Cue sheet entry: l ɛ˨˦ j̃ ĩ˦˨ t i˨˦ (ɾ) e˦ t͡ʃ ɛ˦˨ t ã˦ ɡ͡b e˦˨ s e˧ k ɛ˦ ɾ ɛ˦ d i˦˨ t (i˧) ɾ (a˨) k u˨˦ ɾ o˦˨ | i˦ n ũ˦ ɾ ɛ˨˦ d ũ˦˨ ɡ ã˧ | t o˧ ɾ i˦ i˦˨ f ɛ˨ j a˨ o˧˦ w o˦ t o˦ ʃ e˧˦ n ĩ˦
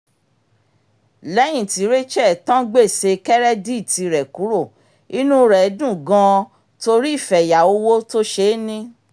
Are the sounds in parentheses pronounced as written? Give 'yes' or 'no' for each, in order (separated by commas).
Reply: yes, yes, no